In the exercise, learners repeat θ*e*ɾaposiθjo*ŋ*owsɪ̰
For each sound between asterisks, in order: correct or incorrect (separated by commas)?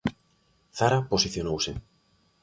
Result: incorrect, incorrect